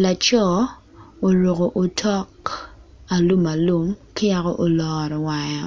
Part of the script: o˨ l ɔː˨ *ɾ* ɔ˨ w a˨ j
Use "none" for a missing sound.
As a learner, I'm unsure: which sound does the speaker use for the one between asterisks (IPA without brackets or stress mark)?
ɾ